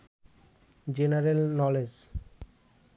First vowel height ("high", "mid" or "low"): mid